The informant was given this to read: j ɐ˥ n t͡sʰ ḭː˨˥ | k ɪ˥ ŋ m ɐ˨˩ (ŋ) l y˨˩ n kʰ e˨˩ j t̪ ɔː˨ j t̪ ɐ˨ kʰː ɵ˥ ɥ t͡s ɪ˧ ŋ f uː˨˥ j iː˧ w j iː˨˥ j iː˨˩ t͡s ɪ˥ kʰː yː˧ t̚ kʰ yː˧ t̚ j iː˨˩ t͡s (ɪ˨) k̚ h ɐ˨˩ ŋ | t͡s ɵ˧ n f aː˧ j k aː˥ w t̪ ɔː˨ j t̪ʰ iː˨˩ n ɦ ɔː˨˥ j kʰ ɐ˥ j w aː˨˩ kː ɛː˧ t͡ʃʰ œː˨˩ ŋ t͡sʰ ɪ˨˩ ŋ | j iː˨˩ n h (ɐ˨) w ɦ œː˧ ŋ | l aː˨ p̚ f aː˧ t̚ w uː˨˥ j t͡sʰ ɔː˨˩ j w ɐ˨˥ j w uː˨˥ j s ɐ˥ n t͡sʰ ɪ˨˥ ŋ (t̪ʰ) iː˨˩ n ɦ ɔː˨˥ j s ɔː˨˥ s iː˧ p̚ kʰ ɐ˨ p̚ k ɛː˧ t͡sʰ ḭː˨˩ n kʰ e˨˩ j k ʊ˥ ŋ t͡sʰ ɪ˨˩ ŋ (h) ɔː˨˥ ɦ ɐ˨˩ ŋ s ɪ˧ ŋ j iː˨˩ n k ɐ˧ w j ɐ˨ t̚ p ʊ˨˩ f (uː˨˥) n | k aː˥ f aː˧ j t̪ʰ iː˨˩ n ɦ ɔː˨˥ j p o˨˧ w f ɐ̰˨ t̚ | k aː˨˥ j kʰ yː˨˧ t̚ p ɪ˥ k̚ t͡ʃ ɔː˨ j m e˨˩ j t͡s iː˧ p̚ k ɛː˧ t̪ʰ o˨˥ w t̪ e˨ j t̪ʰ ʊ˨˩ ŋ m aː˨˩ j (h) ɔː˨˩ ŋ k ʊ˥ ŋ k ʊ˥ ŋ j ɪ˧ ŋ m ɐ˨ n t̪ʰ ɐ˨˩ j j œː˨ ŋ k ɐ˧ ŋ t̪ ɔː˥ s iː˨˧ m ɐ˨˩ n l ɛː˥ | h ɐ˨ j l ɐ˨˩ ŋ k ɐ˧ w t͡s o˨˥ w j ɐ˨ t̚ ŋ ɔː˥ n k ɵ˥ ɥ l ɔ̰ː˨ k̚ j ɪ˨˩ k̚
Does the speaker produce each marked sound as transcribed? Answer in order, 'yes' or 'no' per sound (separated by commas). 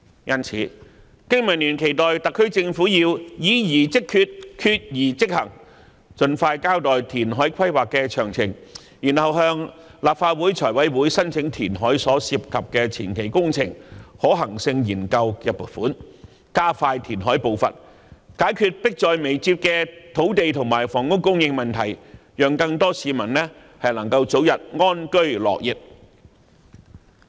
no, no, yes, yes, yes, yes, no